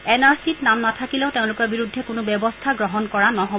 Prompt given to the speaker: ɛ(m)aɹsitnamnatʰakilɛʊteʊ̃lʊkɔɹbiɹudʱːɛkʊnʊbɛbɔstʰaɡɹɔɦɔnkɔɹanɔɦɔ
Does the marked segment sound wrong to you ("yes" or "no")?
yes